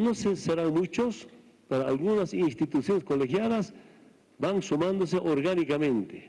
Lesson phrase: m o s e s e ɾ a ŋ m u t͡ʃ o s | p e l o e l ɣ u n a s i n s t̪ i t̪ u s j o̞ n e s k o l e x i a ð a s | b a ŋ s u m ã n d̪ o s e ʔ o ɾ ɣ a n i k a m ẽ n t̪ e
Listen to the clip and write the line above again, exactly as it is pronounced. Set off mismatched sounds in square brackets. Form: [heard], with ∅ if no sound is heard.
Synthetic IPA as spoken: [n] o s e s e ɾ a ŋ m u t͡ʃ o s | p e [ɾ] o [a] l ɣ u n a s i n s t̪ i t̪ u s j o̞ n e s k o l e x [j] a ð a s | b a ŋ s u m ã n d̪ o s e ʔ o ɾ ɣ a n i k a m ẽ n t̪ e